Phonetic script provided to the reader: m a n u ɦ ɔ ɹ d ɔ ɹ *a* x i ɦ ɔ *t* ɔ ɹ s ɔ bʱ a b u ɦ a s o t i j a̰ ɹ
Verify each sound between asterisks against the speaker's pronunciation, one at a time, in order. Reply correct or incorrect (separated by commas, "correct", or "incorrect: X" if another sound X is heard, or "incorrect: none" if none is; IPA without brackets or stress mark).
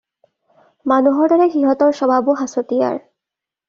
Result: incorrect: ɛ, correct